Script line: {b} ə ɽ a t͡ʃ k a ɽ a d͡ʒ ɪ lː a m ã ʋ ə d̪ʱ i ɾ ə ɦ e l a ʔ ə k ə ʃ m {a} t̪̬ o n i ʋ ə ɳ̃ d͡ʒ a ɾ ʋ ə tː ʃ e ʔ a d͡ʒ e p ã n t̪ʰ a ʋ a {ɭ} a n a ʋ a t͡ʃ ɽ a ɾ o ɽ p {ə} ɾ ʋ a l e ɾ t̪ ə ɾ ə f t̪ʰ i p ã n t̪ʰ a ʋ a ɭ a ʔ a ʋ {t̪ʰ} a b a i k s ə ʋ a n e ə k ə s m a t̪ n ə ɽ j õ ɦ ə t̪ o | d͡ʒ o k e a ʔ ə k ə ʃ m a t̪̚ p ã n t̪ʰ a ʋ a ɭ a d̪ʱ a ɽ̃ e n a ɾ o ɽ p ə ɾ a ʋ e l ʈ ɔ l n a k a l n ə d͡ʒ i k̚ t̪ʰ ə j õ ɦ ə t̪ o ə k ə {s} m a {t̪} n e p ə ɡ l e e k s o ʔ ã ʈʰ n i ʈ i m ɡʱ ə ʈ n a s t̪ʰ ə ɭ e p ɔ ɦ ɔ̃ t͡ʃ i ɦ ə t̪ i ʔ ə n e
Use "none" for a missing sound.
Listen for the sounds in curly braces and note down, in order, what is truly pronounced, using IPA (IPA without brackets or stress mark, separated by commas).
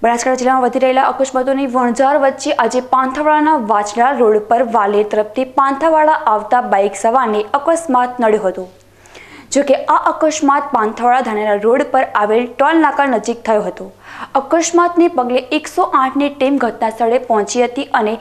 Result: b, a, ɭ, ə, t̪, ʃ, t̪